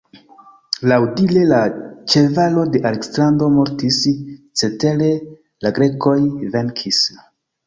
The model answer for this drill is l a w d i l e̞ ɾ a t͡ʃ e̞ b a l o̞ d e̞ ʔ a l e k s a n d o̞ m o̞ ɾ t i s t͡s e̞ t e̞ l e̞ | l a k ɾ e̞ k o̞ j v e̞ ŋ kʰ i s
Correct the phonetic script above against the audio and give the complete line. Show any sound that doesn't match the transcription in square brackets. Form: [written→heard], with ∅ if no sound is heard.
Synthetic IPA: l a w d i l e̞ [ɾ→l] a t͡ʃ e̞ [b→v] a l o̞ d e̞ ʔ a l e k s a n d o̞ m o̞ ɾ t i s t͡s e̞ t e̞ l e̞ | l a [k→ɡ] ɾ e̞ k o̞ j v e̞ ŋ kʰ i s